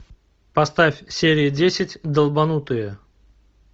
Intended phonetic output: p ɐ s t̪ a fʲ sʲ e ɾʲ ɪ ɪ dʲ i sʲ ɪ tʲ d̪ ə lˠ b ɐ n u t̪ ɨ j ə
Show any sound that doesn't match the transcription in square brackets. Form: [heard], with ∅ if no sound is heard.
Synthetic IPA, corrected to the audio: p ɐ s t̪ a fʲ sʲ e ɾʲ ɪ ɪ dʲ [e] sʲ ɪ tʲ d̪ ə lˠ b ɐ n u t̪ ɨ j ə